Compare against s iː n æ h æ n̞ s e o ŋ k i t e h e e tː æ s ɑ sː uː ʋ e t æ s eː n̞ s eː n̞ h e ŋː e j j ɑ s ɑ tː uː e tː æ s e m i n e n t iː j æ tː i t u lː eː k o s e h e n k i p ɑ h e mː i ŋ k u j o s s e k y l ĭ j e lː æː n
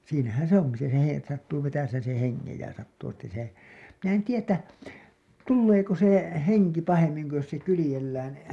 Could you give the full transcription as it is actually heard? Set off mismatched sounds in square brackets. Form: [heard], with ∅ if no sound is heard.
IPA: s iː n æ h æ n̞ s e o ŋ k i [s] e h e e tː æ s ɑ [tː] uː ʋ e t æ s eː n̞ s [e] n̞ h e ŋː e j j ɑ s ɑ tː uː e tː æ s e m i n e n t iː j æ tː [æ] t u lː eː k o s e h e [ŋ] k i p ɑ h e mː i ŋ k u j o s s e k y l ĭ j e lː æː n